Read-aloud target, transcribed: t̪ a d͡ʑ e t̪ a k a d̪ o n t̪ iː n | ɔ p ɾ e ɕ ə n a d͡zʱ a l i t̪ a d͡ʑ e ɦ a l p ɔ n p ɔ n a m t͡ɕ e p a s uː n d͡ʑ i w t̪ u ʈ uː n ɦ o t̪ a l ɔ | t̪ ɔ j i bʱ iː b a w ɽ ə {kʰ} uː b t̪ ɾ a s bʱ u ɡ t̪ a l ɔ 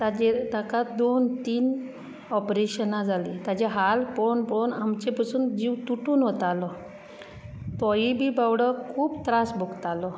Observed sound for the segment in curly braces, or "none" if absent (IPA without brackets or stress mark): kʰ